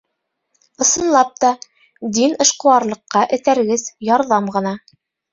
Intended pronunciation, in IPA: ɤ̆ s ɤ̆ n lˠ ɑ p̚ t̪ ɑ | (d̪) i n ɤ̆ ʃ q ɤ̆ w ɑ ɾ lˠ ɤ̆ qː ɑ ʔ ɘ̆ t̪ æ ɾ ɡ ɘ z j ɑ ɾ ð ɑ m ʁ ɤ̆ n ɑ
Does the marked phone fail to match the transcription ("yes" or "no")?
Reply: no